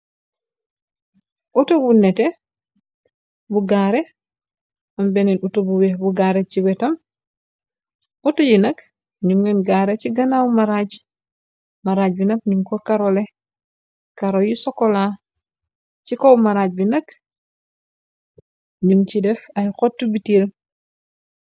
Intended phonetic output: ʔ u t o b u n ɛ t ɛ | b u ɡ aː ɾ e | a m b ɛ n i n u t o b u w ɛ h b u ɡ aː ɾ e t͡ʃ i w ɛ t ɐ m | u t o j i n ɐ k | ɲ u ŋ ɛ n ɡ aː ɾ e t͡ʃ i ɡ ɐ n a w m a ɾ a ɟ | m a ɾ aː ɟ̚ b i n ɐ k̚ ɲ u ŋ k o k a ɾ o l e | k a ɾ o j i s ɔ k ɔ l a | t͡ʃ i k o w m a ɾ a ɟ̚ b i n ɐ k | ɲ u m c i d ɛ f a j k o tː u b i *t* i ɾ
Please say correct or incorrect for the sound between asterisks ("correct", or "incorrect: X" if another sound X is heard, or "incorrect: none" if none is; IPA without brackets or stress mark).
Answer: correct